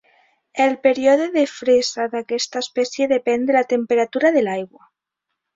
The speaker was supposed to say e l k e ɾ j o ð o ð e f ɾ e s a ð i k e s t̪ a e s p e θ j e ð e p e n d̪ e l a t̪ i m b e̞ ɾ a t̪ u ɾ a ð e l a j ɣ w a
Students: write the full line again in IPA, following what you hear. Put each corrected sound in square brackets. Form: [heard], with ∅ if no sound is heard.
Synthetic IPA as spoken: e l [p] e ɾ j o ð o ð e f ɾ e s a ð [a] k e s t̪ a e s p e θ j e ð e p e n d̪ e l a t̪ [e] m [p] e̞ ɾ a t̪ u ɾ a ð e l a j ɣ w a